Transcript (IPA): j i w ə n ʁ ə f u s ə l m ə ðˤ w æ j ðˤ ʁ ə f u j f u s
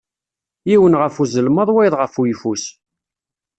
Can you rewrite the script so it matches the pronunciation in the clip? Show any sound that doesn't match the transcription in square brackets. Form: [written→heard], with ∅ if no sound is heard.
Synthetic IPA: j i w ə n ʁ ə f u [s→z] ə l m ə ðˤ w æ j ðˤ ʁ ə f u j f u s